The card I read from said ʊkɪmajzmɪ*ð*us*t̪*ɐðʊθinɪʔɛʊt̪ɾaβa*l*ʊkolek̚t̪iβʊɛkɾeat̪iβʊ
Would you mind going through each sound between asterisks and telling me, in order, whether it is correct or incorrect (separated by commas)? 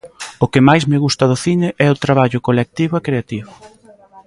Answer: incorrect, correct, incorrect